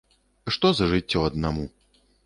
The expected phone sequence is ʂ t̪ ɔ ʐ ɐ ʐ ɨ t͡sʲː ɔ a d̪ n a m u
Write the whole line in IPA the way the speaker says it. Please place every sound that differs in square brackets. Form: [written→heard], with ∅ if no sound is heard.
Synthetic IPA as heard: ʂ t̪ ɔ [ʐ→z] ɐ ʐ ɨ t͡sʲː ɔ [a→ɐ] d̪ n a m u